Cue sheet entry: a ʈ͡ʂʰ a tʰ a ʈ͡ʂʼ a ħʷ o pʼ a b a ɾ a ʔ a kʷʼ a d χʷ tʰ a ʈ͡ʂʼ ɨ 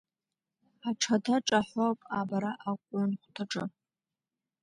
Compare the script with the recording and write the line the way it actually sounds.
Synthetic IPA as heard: a ʈ͡ʂʰ a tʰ a ʈ͡ʂʼ a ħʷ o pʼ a b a ɾ a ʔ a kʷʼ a n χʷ tʰ a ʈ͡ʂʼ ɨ